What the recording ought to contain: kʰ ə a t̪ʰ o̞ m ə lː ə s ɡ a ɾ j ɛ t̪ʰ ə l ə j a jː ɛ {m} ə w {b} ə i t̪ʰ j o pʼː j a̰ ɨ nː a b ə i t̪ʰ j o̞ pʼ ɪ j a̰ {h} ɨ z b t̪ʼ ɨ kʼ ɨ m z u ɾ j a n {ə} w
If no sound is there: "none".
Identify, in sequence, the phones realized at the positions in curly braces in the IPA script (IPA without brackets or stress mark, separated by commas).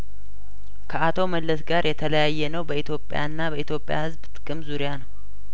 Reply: n, b, h, ə